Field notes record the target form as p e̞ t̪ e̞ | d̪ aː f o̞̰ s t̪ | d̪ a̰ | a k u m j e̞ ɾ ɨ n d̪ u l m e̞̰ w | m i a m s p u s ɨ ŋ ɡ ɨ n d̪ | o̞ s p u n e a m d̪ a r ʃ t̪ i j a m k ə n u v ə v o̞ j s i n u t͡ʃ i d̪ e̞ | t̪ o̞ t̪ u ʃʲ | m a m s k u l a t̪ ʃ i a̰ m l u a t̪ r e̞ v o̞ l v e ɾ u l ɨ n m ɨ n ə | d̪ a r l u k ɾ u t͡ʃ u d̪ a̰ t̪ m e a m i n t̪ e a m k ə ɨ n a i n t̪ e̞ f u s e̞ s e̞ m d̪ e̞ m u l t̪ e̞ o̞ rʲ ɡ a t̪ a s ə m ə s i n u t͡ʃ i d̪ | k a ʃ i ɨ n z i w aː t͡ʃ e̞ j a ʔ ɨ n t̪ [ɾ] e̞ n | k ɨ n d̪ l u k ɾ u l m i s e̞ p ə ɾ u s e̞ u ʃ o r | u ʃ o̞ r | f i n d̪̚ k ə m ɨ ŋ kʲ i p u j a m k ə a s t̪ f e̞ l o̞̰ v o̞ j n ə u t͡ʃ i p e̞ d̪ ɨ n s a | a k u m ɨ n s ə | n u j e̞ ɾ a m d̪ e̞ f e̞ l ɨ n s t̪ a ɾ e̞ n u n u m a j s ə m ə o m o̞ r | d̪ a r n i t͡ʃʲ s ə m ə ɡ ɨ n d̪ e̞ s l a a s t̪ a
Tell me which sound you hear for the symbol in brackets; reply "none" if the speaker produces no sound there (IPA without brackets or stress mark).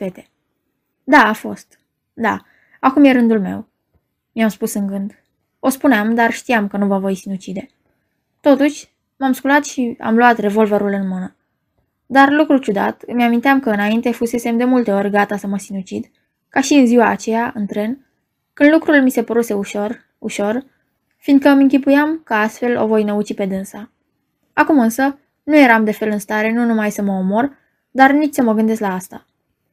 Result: ɾ